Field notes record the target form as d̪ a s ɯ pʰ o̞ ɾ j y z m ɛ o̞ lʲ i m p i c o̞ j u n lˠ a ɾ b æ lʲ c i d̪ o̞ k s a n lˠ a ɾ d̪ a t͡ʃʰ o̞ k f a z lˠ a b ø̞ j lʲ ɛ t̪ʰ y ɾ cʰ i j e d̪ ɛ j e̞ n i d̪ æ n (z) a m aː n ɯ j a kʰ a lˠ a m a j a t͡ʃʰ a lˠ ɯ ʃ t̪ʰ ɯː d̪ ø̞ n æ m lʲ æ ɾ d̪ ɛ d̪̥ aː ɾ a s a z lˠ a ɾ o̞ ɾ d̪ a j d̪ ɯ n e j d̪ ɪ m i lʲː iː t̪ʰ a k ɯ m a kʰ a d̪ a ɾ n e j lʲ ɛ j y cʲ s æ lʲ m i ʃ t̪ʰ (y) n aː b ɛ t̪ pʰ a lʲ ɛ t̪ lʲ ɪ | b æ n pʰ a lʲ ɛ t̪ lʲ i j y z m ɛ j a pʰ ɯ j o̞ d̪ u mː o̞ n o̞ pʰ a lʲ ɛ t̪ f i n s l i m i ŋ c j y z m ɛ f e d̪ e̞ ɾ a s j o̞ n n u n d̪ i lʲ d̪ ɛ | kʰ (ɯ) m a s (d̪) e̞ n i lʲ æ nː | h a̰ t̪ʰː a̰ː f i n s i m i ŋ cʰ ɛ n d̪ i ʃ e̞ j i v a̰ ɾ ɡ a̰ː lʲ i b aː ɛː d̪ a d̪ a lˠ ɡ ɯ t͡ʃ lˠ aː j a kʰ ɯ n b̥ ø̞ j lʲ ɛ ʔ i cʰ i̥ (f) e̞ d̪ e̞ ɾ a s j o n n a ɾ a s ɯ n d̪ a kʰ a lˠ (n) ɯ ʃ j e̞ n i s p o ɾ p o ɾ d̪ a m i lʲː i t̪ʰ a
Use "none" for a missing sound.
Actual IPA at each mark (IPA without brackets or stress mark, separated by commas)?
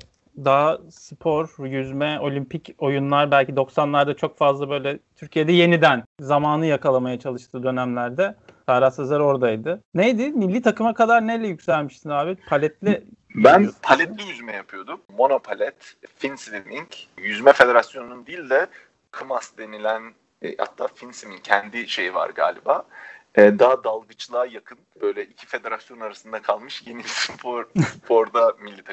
z, i, ɯ, d̪, f, m